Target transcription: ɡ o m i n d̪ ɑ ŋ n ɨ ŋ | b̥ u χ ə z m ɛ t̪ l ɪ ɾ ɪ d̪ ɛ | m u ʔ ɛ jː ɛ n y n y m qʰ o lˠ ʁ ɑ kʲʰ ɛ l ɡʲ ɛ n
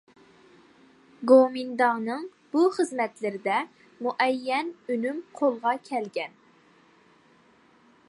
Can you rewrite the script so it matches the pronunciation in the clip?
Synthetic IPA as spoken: ɡ o m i n d̪ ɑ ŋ n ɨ ŋ | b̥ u χ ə z m ɛ t̪ l ɪ ɾ ɪ d̪ ɛ | m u ʔ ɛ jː ɛ n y n y m qʰ o lˠ ʁ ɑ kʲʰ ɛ l ɡʲ ɛ n